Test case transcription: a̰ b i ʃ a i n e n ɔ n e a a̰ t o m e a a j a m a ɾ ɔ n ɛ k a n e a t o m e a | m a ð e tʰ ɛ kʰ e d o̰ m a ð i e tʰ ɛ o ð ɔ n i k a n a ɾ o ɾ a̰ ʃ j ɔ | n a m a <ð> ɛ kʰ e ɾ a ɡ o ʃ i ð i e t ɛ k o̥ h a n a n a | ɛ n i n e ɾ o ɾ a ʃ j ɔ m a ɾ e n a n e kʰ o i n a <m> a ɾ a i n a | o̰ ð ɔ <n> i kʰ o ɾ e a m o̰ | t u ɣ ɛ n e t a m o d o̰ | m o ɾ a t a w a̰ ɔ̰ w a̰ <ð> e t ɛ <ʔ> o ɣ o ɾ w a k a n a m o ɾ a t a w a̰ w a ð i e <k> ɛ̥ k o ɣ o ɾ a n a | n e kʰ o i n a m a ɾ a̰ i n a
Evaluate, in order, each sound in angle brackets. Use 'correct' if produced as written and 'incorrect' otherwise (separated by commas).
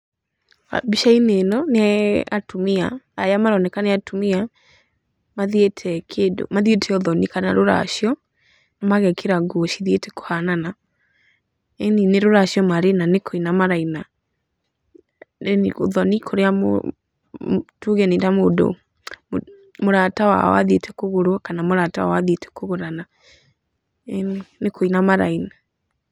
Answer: incorrect, correct, correct, correct, incorrect, incorrect